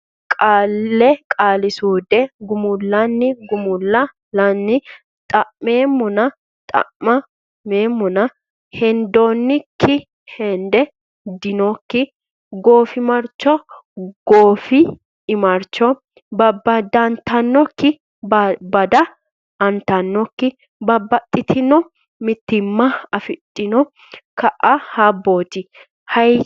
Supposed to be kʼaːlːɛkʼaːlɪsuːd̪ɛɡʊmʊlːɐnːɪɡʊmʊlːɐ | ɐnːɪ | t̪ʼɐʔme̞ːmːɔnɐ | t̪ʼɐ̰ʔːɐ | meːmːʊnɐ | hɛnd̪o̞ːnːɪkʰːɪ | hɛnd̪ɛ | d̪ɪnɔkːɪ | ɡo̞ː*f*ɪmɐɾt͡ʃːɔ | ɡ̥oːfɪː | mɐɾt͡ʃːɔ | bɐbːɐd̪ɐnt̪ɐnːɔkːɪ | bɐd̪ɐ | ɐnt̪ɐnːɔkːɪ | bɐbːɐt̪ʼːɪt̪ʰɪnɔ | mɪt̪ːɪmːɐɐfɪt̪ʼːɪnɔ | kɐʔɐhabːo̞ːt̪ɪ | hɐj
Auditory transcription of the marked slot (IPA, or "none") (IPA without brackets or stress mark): f